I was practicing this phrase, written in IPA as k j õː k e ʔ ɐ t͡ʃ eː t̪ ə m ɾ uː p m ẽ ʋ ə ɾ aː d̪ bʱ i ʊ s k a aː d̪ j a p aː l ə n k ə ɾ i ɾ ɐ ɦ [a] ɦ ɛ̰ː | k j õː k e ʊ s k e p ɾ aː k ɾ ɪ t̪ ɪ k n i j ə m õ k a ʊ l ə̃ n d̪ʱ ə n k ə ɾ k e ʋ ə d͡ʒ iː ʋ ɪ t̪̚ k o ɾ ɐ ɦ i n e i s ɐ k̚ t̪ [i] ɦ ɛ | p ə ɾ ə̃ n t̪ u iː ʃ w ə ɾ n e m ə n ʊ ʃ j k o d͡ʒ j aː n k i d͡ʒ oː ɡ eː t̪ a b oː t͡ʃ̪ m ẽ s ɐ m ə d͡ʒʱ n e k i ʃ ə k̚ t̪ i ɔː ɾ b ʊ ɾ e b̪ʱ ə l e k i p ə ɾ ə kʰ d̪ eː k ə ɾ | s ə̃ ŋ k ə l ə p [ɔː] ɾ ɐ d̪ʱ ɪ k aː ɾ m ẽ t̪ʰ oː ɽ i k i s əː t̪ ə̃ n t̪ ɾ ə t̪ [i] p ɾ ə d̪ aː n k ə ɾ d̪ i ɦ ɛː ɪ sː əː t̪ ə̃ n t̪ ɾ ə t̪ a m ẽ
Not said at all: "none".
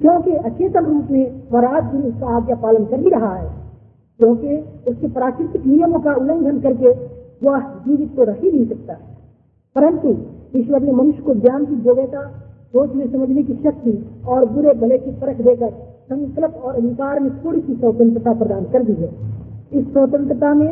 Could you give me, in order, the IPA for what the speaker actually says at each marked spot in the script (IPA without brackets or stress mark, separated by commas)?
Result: a, a, ɔː, a